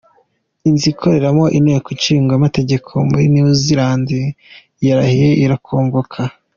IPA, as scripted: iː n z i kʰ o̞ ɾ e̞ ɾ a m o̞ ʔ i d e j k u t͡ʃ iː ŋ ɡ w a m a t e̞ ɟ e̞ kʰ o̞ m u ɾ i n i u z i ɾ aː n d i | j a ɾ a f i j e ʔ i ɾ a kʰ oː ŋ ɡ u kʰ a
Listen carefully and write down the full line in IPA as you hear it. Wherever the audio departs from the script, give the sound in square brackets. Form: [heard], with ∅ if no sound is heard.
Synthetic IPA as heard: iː n z i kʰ o̞ ɾ e̞ ɾ a m o̞ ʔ i [n] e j k u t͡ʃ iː ŋ ɡ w a m a t e̞ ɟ e̞ kʰ o̞ m u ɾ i n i u z i ɾ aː n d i | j a ɾ a [h] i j e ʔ i ɾ a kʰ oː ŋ ɡ [o] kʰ a